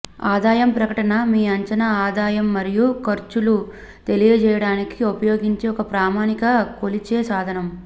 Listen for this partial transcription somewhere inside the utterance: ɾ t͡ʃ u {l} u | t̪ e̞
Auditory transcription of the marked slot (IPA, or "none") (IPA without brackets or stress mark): l